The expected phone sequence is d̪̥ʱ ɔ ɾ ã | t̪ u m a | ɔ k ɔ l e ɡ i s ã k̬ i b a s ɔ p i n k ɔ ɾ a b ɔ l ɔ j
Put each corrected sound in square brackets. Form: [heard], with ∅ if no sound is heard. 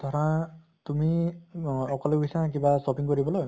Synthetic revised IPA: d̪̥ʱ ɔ ɾ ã | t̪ u m [i] | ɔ k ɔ l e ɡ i s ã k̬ i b a s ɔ p i [ŋ] k ɔ ɾ [i] b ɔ l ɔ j